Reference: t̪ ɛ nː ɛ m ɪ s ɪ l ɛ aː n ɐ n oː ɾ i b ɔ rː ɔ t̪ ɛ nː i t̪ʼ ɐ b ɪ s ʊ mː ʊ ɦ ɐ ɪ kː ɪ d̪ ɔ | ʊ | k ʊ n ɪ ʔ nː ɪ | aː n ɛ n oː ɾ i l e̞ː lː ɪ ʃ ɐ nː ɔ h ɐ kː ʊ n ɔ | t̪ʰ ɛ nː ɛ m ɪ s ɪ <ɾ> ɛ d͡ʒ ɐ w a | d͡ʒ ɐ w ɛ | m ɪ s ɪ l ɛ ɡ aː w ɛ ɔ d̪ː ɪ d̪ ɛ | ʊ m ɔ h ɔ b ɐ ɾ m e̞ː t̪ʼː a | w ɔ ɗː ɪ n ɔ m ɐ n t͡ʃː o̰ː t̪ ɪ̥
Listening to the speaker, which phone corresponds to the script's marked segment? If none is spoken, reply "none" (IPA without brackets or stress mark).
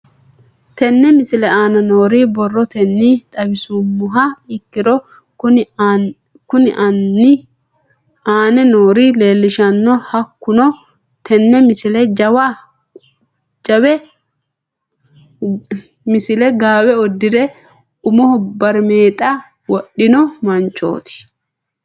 l